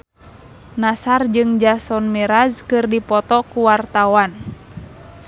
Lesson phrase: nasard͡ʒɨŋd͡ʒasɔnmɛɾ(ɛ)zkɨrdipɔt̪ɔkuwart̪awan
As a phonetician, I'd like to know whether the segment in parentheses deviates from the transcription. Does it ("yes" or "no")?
yes